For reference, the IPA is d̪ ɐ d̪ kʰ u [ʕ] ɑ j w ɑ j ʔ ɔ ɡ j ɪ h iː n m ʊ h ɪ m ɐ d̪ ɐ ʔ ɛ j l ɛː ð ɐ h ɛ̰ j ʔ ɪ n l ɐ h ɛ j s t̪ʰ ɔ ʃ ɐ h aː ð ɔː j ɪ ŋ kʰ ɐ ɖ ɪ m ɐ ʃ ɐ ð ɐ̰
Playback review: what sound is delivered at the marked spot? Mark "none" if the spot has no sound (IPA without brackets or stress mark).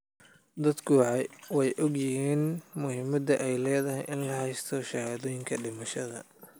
ʕ